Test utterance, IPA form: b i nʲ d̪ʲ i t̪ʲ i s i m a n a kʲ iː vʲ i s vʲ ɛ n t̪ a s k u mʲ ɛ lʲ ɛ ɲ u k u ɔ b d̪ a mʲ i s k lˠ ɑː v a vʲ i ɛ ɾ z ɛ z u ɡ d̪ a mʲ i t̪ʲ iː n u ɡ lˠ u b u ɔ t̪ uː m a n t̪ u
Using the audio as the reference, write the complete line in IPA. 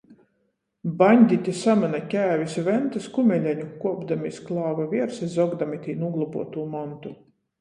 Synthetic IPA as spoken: b a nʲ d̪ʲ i t̪ʲ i s a m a n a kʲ æː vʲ i s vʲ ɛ n t̪ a s k u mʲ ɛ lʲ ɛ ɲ u k u ɔ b d̪ a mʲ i s k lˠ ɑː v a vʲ i ɛ ɾ s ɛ z ɔ ɡ d̪ a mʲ i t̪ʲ iː n u ɡ lˠ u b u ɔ t̪ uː m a n t̪ u